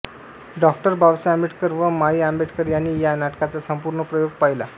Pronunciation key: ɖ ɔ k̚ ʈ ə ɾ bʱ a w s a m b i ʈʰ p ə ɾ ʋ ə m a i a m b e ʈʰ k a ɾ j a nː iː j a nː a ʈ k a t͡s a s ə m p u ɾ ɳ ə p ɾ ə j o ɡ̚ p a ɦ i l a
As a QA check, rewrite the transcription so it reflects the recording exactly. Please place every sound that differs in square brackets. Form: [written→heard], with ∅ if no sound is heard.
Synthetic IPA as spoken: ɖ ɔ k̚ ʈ ə ɾ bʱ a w s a m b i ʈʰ [p→k] ə ɾ ʋ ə m a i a m b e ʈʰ k [a→ə] ɾ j a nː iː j a [nː→n] a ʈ k a t͡s a s ə m p u ɾ ɳ ə p ɾ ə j o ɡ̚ p a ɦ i l a